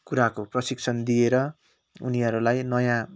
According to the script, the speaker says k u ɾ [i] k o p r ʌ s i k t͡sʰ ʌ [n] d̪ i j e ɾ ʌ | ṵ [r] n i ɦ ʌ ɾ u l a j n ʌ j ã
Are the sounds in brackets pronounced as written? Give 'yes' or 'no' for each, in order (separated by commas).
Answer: no, yes, no